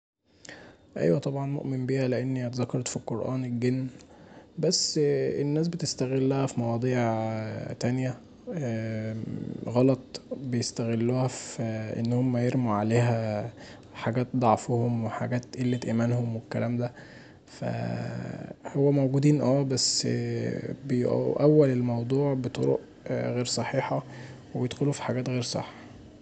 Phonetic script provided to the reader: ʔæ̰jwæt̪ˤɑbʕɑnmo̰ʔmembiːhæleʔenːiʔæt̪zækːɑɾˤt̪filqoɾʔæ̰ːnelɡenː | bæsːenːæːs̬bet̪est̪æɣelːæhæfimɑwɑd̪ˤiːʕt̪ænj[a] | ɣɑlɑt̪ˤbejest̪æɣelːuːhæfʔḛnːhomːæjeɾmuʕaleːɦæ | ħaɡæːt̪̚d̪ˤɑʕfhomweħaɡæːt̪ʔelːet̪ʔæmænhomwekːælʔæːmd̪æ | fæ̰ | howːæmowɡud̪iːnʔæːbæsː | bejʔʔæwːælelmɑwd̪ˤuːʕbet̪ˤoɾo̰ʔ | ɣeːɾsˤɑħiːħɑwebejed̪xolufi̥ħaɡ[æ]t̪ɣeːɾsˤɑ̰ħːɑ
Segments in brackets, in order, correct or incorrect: incorrect, incorrect

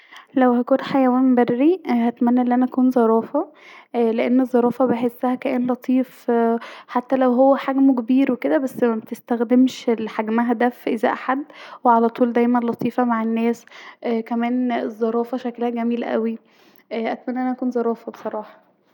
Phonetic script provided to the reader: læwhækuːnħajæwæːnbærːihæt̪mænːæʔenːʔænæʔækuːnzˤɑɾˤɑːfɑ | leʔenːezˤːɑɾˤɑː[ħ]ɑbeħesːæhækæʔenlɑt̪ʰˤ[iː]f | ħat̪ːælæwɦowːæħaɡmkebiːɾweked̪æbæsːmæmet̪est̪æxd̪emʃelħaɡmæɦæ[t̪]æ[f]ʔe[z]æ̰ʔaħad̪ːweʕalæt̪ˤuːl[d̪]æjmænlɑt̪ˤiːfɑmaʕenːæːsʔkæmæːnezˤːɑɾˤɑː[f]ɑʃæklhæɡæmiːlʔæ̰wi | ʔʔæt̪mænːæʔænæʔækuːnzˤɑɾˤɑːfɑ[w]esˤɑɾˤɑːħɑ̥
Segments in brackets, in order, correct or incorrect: incorrect, correct, incorrect, correct, correct, correct, correct, incorrect

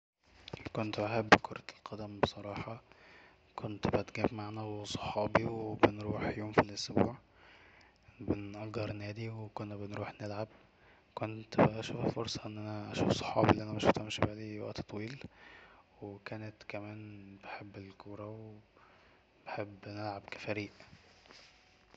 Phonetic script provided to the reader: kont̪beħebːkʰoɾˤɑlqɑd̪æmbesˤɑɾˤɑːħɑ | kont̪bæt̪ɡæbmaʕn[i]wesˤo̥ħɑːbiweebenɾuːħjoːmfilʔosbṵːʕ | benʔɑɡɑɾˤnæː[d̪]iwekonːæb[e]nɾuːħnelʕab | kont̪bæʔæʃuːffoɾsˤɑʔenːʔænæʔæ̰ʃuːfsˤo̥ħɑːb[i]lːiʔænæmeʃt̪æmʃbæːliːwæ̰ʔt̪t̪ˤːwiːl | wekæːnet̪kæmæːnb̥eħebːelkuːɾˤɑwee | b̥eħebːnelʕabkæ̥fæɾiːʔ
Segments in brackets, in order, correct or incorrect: incorrect, correct, correct, correct

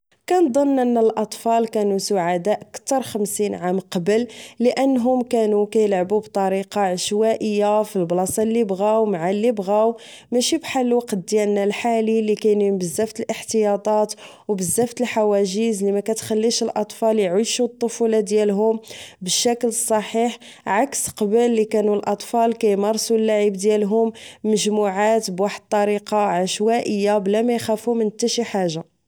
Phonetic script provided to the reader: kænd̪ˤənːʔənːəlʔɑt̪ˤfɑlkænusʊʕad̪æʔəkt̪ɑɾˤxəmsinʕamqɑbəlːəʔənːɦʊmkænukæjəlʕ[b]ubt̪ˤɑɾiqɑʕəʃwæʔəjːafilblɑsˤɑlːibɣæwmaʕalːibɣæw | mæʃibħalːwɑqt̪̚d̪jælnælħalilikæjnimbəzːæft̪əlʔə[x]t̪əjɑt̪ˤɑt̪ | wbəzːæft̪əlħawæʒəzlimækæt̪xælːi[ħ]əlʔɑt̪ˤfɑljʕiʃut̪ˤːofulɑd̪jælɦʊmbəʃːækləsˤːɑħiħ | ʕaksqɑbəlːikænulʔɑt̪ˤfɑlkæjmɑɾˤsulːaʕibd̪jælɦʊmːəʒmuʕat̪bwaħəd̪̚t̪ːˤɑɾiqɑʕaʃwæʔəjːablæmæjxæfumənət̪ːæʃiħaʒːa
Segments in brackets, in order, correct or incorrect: correct, incorrect, incorrect

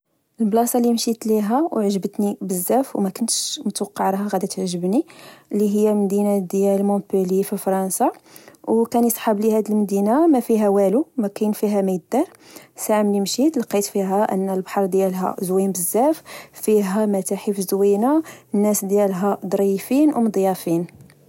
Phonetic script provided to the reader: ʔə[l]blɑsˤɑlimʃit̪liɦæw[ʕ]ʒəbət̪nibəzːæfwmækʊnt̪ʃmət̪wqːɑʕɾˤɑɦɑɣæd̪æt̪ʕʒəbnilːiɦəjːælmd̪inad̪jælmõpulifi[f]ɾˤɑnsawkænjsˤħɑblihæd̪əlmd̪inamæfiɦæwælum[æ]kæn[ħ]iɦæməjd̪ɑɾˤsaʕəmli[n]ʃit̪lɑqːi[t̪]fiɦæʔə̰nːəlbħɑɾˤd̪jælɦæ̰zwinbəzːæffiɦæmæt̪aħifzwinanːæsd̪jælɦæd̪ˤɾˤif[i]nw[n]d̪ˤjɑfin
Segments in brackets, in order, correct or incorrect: correct, correct, correct, correct, incorrect, incorrect, correct, correct, incorrect

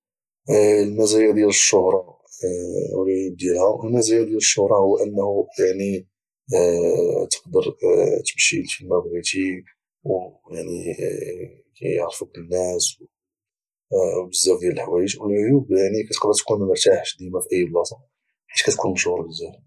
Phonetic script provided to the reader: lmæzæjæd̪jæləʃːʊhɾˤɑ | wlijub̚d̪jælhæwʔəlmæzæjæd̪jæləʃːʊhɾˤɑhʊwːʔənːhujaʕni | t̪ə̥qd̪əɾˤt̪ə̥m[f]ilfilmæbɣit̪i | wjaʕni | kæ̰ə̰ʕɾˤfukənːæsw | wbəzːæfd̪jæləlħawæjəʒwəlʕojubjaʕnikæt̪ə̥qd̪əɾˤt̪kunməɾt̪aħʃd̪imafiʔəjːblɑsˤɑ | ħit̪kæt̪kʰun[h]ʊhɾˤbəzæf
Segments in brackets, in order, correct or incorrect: incorrect, incorrect

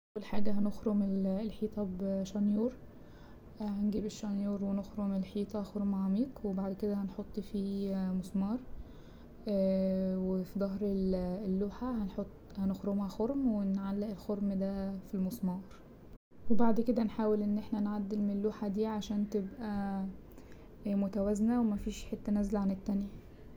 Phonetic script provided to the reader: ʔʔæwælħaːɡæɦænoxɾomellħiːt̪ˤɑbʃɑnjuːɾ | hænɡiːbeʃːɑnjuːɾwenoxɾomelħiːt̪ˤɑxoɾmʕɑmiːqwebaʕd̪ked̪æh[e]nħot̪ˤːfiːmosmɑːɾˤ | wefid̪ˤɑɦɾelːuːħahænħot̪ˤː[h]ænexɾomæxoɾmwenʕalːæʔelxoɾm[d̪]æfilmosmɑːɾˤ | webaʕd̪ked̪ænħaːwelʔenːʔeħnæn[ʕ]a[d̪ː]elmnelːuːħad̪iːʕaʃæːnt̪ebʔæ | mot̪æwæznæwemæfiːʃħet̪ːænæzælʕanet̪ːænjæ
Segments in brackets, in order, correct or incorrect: incorrect, correct, correct, correct, correct

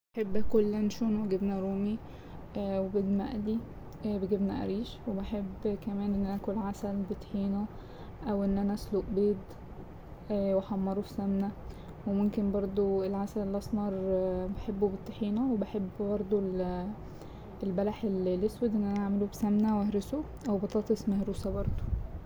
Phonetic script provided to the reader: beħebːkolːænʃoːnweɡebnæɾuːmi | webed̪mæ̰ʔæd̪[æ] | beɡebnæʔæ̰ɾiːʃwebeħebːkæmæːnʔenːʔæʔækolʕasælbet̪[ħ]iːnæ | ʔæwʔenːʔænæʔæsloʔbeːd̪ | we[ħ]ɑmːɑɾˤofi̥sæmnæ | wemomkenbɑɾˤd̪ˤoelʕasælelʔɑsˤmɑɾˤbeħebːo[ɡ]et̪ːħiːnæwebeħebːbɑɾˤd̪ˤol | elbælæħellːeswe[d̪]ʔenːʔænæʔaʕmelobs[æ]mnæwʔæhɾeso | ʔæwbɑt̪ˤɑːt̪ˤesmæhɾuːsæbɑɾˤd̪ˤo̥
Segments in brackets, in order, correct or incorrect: incorrect, correct, correct, incorrect, correct, correct

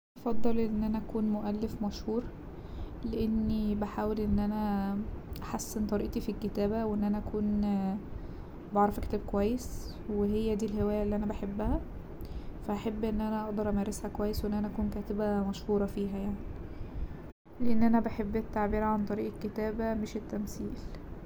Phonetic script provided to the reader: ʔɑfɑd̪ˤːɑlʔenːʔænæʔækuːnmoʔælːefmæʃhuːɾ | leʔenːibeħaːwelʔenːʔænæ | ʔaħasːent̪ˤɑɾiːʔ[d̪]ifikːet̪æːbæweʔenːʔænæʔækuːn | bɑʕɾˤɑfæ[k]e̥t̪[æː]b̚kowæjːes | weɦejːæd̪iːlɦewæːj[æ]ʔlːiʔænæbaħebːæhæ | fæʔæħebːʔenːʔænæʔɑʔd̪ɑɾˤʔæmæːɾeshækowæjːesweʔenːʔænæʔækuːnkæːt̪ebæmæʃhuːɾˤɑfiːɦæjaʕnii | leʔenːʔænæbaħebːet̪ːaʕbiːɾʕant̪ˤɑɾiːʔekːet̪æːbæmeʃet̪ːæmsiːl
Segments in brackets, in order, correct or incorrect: incorrect, correct, correct, correct

